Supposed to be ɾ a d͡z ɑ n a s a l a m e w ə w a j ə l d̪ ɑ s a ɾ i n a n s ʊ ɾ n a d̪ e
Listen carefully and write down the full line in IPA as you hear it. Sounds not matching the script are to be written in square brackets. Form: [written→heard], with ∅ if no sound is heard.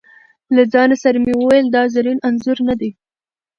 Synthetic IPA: [ɾ→l] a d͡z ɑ n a s a [l→ɾ] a m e w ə w a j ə l d̪ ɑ [s→z] a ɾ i n a n [s→z] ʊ ɾ n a d̪ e